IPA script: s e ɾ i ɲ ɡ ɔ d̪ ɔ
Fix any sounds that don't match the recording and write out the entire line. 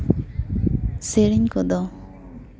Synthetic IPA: s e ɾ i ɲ k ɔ d̪ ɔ